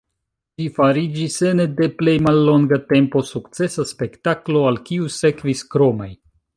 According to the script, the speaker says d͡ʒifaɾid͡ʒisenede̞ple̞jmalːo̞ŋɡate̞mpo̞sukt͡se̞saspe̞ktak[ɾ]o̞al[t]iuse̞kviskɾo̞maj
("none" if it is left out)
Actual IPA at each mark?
l, k

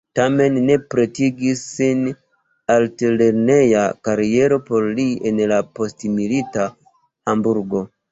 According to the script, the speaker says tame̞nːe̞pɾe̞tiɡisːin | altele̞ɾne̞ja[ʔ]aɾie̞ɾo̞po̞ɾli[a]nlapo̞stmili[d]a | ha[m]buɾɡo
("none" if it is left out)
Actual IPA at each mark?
k, e, t, m

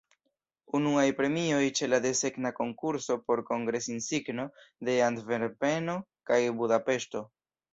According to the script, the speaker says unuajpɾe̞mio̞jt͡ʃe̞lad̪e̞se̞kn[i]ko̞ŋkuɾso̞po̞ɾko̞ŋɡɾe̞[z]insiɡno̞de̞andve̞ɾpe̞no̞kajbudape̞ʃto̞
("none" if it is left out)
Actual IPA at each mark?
a, s

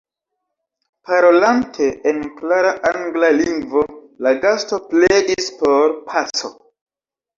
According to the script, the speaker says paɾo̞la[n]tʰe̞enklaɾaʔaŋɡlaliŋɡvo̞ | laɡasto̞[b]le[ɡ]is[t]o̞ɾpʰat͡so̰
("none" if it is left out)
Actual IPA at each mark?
n, p, d, p

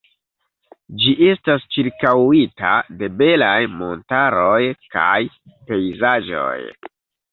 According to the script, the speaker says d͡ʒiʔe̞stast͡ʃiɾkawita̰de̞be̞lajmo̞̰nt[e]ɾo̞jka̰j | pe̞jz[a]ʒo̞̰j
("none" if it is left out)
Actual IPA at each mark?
a, a

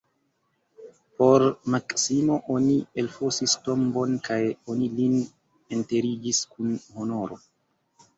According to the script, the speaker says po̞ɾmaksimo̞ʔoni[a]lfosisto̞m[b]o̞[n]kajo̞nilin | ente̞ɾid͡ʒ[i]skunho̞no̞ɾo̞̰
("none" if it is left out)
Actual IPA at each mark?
e, b, n, i

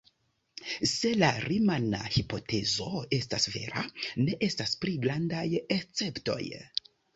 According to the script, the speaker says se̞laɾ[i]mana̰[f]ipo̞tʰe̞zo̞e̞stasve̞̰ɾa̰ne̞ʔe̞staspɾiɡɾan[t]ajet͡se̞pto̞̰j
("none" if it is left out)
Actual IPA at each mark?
i, h, d

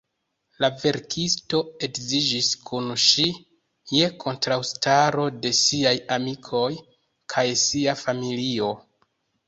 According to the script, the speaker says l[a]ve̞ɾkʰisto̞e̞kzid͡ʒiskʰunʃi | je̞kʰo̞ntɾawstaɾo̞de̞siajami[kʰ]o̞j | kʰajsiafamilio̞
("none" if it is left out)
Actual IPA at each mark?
a, kʰ

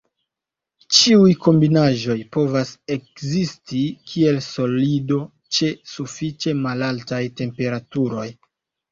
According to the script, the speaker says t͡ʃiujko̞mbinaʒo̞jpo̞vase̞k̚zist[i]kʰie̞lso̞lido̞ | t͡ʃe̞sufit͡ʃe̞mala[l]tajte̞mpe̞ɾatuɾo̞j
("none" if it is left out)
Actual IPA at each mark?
i, l

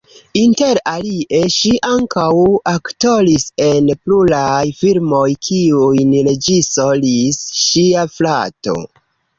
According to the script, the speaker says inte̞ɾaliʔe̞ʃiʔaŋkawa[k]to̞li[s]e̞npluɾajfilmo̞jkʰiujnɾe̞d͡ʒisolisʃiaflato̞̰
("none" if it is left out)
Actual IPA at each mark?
k, s

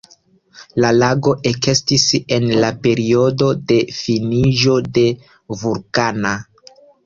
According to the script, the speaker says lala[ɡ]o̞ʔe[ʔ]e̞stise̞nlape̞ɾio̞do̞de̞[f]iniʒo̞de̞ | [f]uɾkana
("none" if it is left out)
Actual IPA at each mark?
ɡ, k, f, v

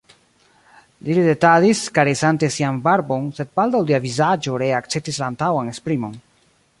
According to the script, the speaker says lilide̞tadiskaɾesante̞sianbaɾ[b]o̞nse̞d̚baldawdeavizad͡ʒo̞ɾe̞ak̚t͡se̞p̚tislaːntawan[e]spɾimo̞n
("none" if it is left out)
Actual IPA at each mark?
b, e

